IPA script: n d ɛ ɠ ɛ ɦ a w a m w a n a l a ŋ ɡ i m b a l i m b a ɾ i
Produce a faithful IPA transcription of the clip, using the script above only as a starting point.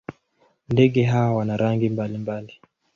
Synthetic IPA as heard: n d ɛ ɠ ɛ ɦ a w a w a n a ɾ a ŋ ɡ i m b a l i m b a l i